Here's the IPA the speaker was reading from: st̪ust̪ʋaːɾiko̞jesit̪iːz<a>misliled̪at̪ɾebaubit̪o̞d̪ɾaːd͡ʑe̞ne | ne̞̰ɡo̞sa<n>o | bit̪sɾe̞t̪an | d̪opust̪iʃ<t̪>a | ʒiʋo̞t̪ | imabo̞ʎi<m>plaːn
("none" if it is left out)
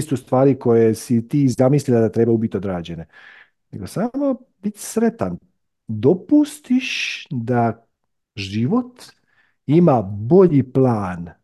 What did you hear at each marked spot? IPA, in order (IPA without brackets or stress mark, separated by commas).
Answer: a, m, d̪, none